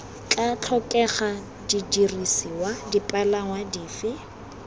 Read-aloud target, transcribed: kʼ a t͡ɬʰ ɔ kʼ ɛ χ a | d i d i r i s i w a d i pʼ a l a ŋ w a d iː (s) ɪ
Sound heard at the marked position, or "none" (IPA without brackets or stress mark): f